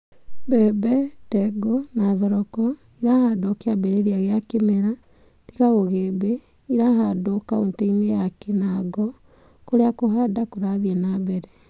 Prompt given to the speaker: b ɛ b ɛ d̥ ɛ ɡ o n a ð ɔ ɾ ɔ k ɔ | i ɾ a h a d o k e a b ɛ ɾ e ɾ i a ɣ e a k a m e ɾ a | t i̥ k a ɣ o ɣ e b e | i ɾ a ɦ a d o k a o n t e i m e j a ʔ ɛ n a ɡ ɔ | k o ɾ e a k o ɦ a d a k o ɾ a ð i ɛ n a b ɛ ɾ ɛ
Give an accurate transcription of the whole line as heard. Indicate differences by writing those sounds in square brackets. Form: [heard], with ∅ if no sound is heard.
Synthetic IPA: b ɛ b ɛ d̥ ɛ ɡ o n a ð ɔ ɾ ɔ k ɔ | i ɾ a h a d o k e a b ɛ ɾ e ɾ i a ɣ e a k [e] m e ɾ a | t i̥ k a ɣ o ɣ e b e | i ɾ a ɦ a d o k a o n t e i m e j a [k] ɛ n a ɡ ɔ | k o ɾ e a k o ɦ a d a k o ɾ a ð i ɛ n a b ɛ ɾ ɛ